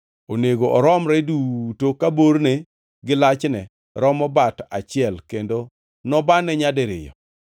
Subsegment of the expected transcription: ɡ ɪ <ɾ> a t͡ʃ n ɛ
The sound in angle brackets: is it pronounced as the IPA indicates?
no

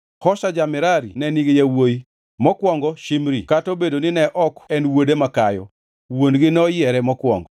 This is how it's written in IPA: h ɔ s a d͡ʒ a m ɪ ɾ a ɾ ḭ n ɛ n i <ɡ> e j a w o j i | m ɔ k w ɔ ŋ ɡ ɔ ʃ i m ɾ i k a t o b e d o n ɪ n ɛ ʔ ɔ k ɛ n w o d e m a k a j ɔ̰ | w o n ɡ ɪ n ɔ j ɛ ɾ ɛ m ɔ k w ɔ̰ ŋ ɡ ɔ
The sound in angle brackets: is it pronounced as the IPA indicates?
yes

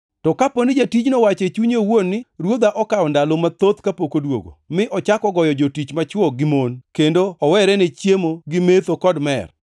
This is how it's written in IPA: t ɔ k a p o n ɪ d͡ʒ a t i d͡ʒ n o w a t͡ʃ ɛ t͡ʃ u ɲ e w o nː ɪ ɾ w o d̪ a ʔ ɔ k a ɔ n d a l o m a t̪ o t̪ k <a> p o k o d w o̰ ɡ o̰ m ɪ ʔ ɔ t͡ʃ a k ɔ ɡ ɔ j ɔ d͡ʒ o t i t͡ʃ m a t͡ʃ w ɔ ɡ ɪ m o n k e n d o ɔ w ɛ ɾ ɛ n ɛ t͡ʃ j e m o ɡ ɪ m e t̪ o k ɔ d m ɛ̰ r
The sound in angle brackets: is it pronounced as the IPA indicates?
yes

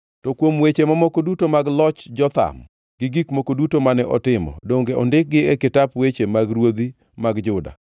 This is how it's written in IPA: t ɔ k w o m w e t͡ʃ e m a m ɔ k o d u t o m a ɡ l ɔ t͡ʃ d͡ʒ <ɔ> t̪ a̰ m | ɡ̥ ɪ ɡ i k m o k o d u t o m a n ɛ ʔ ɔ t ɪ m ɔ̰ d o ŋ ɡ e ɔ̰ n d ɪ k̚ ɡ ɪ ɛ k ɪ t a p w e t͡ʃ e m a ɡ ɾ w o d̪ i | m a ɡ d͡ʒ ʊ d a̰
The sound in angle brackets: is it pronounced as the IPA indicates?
yes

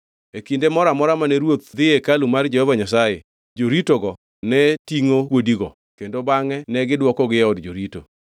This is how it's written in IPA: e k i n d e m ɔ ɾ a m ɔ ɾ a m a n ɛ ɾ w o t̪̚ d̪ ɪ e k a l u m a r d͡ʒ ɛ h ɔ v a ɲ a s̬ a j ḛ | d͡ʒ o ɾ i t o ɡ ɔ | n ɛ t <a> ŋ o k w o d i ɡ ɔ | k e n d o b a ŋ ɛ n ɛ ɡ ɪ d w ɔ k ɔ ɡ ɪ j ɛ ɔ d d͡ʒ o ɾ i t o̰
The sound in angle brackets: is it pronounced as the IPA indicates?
no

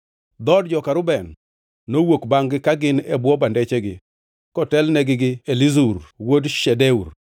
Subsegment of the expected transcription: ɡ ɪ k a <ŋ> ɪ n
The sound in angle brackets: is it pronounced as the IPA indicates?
no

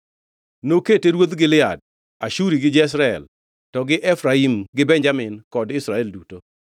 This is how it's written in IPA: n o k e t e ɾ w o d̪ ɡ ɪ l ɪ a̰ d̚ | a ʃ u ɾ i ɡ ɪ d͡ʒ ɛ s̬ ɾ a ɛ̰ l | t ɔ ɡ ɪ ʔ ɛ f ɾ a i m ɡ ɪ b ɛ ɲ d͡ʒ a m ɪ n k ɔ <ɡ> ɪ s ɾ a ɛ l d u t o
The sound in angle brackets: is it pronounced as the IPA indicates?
no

